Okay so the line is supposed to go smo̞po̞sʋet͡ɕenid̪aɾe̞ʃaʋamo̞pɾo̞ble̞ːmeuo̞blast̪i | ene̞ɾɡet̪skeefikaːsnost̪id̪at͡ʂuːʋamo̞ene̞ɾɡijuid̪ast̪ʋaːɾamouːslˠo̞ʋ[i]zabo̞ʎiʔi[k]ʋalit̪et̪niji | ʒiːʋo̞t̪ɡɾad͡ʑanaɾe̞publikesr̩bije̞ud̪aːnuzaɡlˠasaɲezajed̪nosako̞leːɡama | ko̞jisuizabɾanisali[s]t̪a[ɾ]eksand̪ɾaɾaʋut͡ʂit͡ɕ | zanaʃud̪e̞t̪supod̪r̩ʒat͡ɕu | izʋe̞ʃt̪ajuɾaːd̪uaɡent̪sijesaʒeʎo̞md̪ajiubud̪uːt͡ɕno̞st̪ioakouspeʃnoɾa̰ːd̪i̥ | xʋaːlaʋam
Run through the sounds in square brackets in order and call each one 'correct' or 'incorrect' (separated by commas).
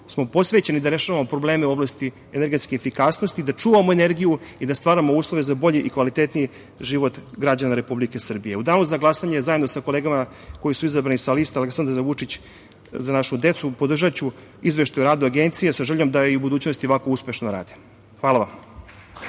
incorrect, correct, correct, incorrect